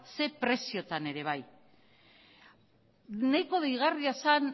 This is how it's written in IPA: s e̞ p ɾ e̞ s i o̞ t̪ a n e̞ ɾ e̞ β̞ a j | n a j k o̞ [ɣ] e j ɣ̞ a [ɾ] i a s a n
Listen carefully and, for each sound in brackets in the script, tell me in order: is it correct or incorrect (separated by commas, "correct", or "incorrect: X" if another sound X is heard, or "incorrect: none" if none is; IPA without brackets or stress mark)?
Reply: incorrect: ð, incorrect: r